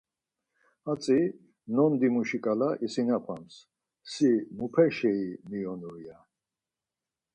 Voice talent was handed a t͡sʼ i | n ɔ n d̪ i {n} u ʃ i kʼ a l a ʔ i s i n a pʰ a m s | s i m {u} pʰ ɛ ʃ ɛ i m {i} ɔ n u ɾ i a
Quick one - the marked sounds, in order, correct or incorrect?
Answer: incorrect: m, correct, correct

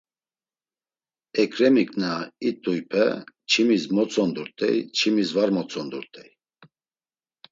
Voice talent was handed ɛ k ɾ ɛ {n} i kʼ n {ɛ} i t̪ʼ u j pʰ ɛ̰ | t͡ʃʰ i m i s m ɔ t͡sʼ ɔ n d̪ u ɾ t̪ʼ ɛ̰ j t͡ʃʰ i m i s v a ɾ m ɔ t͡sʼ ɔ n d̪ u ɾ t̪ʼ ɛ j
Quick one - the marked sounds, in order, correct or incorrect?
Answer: incorrect: m, incorrect: a

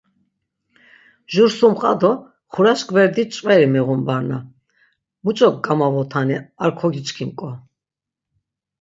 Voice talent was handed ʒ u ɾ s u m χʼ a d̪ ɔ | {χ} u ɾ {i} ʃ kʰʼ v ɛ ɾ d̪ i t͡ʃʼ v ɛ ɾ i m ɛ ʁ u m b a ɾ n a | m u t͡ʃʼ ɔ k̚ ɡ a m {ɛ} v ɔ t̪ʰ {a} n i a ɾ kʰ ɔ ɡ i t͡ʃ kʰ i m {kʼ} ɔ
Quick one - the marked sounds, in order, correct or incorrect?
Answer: correct, incorrect: a, incorrect: a, correct, correct

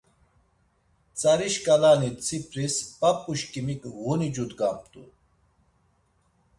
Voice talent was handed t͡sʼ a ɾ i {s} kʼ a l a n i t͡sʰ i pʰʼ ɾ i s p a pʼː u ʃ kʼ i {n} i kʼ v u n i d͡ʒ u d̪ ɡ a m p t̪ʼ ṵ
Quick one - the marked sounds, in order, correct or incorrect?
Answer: incorrect: ʃ, incorrect: m

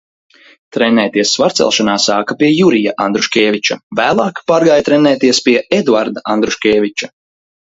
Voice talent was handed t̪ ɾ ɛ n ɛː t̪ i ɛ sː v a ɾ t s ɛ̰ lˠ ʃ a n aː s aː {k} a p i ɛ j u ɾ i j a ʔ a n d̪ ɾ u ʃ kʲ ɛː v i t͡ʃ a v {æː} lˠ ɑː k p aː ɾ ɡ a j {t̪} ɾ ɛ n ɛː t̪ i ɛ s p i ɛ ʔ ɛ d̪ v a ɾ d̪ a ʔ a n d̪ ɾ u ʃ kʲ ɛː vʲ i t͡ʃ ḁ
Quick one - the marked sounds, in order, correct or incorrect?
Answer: correct, correct, correct

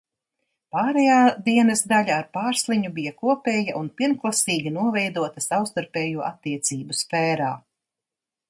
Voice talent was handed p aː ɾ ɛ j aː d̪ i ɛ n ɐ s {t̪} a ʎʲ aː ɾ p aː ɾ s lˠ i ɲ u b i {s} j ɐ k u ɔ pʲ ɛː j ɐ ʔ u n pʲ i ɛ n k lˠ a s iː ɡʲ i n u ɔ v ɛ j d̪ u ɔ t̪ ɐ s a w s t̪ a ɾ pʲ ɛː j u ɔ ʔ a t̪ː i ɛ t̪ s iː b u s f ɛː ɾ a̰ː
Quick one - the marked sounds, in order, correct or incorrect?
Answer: incorrect: d̪, incorrect: none

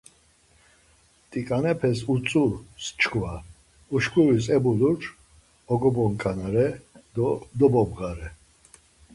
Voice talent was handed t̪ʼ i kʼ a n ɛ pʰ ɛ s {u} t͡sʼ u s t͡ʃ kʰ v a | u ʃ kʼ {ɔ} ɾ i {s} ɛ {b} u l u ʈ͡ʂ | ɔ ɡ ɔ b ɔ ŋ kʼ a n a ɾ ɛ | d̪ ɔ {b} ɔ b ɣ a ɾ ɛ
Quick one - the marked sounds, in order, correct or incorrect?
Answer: correct, incorrect: u, correct, correct, correct

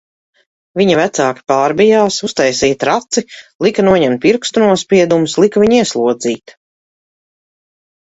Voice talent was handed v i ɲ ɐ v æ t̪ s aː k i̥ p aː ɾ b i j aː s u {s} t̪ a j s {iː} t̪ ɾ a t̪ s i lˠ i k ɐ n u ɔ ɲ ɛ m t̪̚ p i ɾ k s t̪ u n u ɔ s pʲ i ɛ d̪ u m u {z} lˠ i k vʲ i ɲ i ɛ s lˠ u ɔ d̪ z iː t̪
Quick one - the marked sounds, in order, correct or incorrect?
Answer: correct, correct, incorrect: s

